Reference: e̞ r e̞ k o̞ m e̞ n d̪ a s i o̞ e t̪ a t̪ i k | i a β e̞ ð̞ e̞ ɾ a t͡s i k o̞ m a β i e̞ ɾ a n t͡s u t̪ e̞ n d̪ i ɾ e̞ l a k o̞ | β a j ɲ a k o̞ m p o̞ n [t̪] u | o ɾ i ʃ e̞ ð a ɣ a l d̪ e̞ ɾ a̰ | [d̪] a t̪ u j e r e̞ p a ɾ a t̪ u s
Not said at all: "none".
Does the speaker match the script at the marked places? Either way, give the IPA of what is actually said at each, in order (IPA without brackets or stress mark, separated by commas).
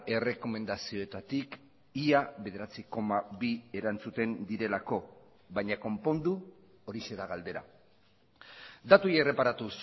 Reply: d̪, d̪